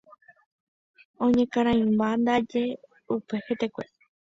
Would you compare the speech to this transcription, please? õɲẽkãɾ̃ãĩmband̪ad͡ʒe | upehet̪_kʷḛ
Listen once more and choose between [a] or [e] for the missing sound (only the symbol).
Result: e